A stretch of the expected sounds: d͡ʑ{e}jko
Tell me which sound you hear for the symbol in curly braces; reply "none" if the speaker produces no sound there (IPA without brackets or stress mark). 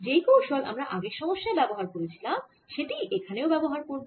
e